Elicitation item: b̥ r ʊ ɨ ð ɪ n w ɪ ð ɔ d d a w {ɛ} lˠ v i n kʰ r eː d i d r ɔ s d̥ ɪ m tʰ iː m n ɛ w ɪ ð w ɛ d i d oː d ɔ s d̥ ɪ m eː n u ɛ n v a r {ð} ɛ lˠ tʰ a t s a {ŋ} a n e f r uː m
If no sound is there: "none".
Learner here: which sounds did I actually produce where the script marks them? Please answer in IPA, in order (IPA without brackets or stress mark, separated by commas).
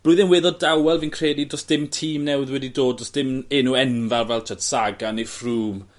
ɛ, v, ɡ